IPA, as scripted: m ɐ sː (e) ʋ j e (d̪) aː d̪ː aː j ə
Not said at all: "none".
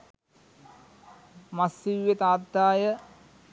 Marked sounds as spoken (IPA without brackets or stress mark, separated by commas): i, t̪